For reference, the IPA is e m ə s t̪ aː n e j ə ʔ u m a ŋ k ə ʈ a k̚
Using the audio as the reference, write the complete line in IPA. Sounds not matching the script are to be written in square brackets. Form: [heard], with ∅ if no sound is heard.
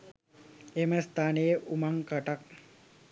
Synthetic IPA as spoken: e m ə s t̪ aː n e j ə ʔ u m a ŋ k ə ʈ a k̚